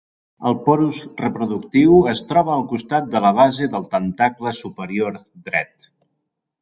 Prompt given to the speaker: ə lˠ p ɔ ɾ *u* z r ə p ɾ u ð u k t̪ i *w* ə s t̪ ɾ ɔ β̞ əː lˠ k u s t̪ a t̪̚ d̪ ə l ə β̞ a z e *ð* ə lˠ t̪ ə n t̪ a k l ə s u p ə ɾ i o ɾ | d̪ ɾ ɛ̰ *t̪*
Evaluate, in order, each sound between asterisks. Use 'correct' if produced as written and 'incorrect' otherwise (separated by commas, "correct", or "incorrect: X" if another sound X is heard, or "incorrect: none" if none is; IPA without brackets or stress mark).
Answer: correct, correct, correct, correct